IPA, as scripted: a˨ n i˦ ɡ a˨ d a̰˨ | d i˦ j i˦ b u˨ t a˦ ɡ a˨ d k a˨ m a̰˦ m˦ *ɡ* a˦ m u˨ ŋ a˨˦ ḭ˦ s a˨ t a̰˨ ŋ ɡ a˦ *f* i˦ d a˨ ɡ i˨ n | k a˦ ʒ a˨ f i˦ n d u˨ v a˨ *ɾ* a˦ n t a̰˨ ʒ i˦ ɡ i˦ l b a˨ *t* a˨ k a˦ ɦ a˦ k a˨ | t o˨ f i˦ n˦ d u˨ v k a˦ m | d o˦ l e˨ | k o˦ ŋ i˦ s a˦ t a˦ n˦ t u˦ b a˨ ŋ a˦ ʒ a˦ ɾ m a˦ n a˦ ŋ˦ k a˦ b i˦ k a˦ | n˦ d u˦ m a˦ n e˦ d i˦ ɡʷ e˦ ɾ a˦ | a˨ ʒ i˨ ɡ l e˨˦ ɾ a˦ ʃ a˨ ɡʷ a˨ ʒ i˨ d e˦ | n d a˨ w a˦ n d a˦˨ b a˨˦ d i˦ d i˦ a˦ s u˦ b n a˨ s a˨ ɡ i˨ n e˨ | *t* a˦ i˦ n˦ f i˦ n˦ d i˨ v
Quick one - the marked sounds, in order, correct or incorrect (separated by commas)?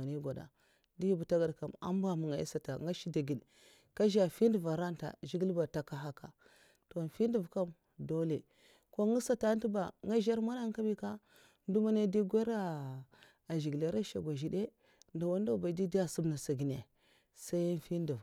incorrect, incorrect, correct, correct, incorrect